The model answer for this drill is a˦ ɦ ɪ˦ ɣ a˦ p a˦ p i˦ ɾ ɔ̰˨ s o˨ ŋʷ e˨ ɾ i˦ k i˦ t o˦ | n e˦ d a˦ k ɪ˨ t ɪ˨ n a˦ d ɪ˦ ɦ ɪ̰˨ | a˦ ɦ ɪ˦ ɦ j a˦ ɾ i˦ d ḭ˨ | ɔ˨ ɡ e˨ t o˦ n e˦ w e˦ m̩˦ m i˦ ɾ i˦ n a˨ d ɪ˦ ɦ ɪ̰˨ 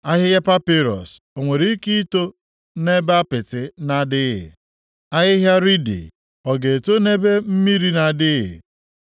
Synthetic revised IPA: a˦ ɦ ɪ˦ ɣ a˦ p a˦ p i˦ ɾ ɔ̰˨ s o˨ ŋʷ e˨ ɾ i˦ k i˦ t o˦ | n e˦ b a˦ p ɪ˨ t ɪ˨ n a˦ d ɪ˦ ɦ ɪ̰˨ | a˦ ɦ ɪ˦ ɦ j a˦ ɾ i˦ d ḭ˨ | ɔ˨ ɡ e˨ t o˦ n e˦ b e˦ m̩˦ m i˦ ɾ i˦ n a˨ d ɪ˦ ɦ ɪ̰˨

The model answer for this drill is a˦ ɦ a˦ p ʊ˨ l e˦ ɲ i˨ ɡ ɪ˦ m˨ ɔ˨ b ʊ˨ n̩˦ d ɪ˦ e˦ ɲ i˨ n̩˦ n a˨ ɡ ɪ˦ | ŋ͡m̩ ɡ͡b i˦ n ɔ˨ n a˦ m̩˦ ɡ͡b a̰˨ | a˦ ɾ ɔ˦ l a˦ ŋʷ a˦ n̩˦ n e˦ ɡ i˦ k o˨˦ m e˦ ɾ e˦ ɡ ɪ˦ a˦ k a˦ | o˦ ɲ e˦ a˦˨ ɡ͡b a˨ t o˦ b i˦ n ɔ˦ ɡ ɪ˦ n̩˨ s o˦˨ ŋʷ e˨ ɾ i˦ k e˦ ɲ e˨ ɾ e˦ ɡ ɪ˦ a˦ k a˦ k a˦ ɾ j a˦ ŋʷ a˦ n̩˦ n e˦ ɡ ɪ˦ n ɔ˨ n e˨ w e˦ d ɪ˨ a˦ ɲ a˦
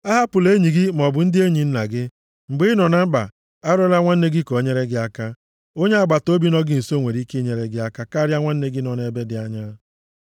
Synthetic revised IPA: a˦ ɦ a˦ p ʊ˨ l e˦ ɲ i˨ ɡ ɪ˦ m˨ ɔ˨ b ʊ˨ n̩˦ d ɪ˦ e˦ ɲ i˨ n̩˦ n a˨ ɡ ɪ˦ | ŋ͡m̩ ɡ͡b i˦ n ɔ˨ n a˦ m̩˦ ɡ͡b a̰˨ | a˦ ɾ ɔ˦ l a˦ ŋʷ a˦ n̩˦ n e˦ ɡ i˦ k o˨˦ ɲ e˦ ɾ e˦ ɡ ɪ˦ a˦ k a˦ | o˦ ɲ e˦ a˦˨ ɡ͡b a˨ t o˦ b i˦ n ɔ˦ ɡ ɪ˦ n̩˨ s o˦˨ ŋʷ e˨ ɾ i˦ k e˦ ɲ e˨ ɾ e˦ ɡ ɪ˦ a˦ k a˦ k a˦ ɾ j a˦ ŋʷ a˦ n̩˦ n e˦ ɡ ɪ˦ n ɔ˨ n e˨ b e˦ d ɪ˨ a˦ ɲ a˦

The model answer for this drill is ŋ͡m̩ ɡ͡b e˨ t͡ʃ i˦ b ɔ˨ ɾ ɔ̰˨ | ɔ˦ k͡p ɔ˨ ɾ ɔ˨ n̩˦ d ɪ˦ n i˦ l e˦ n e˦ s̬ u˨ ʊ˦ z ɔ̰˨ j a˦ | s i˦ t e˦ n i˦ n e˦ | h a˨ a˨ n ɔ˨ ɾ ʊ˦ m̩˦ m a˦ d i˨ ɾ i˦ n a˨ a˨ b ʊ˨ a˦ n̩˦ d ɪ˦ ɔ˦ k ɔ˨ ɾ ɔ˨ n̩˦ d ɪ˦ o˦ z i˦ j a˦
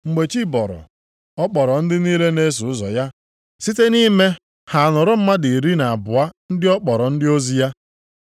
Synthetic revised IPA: ŋ͡m̩ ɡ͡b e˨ t͡ʃ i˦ b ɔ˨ ɾ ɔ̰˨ | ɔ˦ k͡p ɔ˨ ɾ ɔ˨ n̩˦ d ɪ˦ n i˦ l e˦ n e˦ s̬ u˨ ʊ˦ z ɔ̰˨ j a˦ | s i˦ t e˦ n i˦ m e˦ | h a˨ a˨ n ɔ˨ ɾ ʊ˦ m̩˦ m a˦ d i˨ ɾ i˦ n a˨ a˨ b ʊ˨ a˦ n̩˦ d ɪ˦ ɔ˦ k͡p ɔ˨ ɾ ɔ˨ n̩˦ d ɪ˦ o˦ z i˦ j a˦

